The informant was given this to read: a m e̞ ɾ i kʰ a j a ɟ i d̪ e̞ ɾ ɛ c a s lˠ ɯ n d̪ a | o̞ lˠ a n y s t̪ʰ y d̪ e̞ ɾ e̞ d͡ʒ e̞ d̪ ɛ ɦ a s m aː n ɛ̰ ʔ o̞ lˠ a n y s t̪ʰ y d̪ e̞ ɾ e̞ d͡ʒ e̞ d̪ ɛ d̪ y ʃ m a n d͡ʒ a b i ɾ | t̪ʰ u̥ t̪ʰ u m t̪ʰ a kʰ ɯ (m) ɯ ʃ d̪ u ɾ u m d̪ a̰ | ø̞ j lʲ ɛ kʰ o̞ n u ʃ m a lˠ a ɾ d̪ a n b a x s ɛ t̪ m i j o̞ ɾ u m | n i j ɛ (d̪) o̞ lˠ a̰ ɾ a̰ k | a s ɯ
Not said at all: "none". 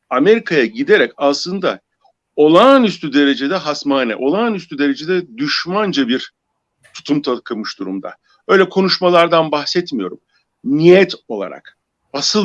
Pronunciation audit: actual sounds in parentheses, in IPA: m, t̪

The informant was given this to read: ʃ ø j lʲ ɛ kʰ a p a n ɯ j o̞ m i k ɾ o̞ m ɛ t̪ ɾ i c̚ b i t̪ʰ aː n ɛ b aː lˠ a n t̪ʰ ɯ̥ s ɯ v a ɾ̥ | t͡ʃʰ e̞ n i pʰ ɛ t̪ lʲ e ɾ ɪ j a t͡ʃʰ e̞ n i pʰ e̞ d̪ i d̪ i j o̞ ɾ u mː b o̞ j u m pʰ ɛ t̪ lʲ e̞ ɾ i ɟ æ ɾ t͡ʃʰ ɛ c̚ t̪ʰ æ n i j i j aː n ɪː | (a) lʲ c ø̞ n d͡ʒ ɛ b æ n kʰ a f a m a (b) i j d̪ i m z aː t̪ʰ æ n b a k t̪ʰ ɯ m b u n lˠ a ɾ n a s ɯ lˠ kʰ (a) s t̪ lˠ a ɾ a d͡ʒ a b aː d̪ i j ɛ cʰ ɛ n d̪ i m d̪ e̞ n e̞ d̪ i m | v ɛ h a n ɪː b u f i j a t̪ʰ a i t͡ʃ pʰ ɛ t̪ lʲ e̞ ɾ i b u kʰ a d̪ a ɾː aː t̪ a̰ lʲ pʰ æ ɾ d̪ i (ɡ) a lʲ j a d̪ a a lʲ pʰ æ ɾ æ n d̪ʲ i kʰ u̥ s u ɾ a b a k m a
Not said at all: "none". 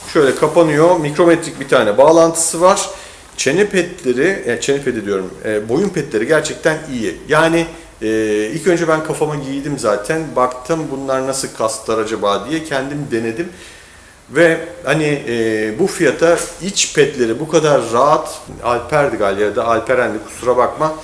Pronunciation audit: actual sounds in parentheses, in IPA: i, ɟ, a, ɡ

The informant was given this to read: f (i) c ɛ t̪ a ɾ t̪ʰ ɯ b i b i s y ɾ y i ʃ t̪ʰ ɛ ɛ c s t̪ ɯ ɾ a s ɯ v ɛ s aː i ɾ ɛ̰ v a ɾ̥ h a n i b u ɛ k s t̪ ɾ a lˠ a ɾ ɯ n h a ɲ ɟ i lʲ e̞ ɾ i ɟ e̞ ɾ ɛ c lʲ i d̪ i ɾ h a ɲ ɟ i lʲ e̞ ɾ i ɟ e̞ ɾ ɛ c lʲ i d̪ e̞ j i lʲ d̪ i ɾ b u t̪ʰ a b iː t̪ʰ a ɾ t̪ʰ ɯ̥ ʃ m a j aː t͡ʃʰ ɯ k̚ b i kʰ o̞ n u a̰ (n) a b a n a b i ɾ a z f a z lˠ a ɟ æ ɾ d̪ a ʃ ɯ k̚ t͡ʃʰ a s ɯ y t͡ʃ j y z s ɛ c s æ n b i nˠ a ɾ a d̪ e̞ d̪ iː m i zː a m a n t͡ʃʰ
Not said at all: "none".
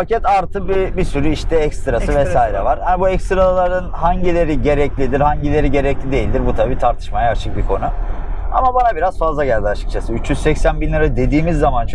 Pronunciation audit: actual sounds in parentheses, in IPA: a, m

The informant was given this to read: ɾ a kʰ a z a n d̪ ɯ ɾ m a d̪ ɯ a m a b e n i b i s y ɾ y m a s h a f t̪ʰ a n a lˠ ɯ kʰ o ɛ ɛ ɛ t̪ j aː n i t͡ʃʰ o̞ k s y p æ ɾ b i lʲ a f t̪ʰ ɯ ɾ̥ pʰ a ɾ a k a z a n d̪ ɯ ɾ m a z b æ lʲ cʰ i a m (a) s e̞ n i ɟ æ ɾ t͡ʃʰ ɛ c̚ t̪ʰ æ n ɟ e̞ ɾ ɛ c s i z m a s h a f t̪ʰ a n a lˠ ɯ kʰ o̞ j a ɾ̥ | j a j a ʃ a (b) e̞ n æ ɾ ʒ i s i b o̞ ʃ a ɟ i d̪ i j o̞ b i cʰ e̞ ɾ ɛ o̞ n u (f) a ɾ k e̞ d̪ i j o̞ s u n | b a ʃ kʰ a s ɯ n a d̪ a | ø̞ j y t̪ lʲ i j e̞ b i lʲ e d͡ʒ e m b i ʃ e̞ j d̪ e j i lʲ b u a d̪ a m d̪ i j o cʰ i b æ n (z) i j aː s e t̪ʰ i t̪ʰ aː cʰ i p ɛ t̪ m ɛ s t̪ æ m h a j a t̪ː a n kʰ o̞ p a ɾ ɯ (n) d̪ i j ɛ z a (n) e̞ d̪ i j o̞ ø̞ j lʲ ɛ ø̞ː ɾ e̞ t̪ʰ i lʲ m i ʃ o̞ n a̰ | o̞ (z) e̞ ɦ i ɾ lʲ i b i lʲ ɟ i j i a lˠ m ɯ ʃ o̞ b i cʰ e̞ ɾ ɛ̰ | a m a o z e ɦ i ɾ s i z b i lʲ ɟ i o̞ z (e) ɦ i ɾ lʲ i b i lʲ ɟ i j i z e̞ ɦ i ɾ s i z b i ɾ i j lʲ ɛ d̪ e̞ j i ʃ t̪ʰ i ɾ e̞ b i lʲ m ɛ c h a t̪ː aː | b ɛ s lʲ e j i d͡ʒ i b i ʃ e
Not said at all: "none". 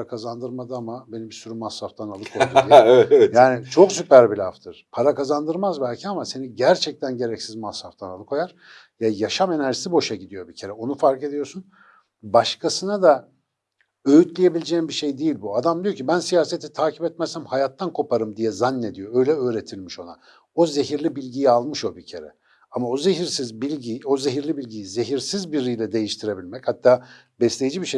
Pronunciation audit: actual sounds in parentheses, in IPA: a, m, f, s, m, nː, z, e

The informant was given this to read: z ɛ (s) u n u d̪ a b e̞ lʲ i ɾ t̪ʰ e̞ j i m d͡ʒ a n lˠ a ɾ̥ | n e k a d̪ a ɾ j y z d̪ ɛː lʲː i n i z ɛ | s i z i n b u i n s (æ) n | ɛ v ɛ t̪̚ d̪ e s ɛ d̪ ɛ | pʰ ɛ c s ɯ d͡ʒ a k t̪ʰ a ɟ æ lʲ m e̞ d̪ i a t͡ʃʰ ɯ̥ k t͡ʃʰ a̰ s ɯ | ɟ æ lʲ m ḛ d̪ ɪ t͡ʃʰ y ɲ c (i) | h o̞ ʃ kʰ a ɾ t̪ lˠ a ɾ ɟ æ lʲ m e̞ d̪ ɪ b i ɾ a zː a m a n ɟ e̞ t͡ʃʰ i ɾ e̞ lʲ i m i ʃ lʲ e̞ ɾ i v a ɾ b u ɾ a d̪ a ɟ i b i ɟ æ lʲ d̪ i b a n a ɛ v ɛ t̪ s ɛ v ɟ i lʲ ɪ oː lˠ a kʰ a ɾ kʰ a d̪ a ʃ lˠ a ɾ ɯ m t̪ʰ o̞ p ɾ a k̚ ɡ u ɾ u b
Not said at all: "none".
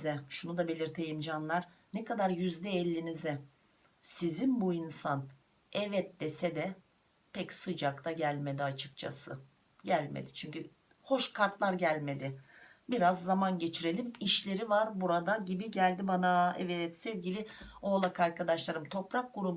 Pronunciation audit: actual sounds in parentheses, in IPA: ʃ, a, y

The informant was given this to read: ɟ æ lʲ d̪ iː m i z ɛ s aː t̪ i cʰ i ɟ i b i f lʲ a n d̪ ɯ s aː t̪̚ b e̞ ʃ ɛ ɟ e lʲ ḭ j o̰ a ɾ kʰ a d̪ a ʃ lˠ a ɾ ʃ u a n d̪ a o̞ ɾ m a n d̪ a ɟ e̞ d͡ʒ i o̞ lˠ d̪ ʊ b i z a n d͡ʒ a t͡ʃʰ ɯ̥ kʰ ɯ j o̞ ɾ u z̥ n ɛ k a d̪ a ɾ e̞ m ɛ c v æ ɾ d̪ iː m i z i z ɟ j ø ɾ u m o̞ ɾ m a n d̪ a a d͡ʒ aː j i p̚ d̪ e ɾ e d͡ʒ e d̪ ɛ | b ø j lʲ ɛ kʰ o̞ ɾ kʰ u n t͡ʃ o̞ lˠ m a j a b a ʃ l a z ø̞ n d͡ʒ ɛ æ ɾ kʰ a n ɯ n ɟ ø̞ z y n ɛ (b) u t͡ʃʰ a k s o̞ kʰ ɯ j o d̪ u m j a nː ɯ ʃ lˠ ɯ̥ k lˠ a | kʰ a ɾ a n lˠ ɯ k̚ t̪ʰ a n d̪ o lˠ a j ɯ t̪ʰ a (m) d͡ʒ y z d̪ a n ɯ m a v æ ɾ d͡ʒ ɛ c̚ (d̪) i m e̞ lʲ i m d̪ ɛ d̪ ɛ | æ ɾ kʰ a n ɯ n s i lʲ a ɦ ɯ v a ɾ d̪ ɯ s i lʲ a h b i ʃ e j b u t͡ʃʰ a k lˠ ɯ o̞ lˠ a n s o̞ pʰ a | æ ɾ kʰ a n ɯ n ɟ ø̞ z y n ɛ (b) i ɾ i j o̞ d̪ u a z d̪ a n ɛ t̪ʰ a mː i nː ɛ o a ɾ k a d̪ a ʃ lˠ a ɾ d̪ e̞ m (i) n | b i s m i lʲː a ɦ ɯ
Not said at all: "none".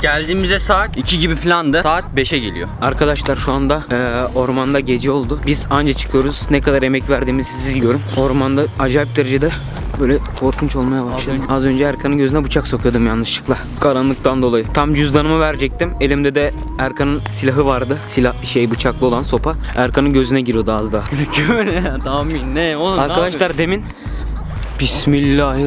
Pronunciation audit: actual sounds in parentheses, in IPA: b, m, t̪, ɟ, i

